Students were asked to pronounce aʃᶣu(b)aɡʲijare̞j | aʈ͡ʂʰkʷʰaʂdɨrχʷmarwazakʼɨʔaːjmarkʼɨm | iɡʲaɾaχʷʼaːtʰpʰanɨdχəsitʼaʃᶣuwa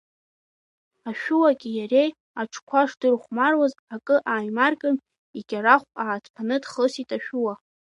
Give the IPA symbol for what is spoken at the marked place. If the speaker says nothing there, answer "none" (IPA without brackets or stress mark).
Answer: w